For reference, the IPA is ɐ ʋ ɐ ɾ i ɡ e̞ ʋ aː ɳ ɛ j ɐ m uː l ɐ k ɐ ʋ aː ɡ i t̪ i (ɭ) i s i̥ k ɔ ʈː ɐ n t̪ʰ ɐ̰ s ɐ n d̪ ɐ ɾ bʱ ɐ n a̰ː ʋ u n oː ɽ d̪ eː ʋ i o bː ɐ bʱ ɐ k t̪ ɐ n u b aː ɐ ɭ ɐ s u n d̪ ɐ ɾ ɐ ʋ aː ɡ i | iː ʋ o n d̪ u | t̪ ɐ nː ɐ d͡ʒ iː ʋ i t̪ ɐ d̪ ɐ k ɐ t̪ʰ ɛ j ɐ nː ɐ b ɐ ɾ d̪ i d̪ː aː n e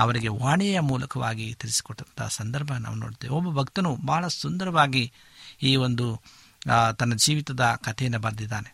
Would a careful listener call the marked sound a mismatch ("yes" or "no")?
yes